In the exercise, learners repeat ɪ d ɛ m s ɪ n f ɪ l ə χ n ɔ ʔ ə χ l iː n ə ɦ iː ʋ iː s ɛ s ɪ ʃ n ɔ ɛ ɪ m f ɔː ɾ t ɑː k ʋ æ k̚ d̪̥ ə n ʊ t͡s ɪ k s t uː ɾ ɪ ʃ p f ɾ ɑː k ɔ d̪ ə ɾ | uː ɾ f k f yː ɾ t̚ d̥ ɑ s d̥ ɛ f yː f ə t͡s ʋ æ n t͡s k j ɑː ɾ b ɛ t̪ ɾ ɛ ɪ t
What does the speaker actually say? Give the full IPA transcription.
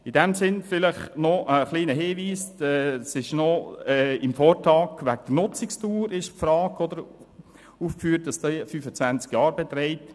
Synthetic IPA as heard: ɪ d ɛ m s ɪ n f ɪ l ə χ n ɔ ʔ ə χ l iː n ə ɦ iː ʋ iː s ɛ s ɪ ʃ n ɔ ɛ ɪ m f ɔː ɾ t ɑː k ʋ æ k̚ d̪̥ ə n ʊ t͡s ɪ k s t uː ɾ ɪ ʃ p f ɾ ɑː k ɔ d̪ ə ɾ | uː f k f yː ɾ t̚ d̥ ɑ s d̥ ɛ f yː f ə t͡s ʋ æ n t͡s k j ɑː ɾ b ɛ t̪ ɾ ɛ ɪ t